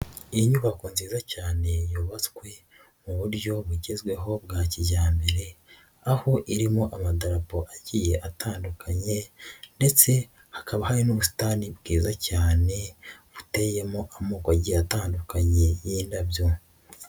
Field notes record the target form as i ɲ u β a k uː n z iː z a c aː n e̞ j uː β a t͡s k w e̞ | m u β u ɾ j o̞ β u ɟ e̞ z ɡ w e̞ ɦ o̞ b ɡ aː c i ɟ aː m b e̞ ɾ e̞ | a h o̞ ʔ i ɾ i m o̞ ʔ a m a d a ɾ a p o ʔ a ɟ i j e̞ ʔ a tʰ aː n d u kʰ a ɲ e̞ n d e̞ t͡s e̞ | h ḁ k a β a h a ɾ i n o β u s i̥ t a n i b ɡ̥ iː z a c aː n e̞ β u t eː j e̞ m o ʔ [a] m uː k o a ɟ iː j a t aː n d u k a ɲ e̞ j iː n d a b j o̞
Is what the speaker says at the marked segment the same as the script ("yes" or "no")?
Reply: yes